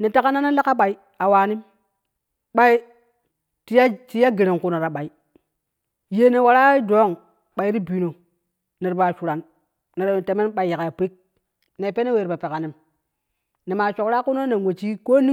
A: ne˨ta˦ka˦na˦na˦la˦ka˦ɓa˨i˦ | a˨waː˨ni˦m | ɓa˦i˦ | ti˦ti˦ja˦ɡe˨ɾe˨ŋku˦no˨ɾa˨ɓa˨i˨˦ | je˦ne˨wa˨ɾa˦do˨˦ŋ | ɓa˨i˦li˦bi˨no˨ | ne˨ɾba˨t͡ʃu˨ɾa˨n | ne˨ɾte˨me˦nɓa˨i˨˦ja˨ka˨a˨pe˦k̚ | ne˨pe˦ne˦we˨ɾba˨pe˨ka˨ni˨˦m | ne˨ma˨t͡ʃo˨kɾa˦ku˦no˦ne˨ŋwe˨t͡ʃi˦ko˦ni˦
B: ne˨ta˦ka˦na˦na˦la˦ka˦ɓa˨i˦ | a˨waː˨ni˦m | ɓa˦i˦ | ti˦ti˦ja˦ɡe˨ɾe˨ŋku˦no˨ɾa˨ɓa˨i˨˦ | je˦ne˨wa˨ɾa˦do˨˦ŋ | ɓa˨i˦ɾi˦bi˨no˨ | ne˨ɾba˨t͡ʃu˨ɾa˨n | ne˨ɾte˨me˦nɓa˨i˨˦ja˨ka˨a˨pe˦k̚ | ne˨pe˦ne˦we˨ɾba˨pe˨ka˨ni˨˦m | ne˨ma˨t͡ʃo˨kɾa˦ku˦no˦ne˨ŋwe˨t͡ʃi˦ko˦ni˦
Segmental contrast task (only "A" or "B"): B